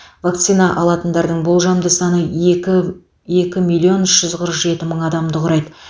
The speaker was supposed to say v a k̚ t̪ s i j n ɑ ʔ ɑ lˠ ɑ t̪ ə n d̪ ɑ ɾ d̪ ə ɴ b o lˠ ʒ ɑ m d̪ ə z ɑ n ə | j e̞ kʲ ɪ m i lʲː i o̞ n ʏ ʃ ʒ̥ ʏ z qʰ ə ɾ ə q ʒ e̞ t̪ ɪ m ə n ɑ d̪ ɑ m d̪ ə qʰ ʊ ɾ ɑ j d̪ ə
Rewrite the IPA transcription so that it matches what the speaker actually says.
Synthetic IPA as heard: v a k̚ t̪ s i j n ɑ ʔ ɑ lˠ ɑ t̪ ə n d̪ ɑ ɾ d̪ ə ɴ b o lˠ ʒ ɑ m d̪ ə s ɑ n ə | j e̞ kʲ ɪ m i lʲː i o̞ n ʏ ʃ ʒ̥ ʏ z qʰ ə ɾ ə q ʒ e̞ t̪ ɪ m ə ɴ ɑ d̪ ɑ m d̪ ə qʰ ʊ ɾ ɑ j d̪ ə